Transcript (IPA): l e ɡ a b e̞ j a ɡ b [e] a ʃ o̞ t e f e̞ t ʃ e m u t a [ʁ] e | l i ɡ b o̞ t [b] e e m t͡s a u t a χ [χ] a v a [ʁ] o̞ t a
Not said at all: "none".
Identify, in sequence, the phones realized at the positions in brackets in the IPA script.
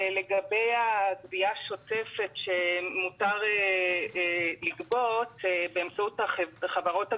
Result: i, ʁ, b, χ, ʁ

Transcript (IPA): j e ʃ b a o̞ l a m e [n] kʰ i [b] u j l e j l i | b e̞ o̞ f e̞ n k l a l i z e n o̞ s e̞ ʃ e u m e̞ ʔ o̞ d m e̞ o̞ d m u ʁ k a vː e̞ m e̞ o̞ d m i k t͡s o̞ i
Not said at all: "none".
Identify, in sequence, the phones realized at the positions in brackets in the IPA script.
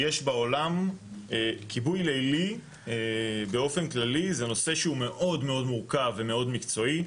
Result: none, b

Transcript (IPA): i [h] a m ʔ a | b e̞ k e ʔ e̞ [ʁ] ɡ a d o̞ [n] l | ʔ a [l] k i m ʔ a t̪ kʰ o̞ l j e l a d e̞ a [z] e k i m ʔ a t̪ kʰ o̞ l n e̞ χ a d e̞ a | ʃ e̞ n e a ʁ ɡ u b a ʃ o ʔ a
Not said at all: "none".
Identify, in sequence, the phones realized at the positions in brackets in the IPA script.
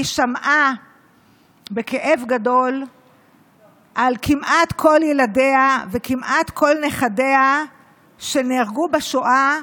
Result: ʃ, v, none, l, v

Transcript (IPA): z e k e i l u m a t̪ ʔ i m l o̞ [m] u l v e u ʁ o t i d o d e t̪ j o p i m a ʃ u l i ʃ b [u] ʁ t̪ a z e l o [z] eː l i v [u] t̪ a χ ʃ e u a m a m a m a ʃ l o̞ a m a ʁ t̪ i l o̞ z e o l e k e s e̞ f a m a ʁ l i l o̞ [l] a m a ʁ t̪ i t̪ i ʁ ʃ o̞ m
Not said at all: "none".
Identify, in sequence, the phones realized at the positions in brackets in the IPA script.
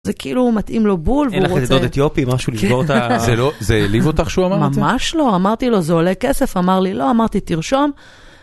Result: b, o, z, o, none

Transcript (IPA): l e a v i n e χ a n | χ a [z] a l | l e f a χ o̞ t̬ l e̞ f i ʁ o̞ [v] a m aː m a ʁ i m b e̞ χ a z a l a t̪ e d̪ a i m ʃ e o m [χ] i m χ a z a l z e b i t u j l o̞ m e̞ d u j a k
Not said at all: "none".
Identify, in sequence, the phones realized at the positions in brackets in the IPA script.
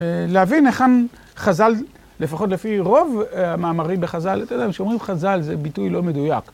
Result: z, v, ʁ

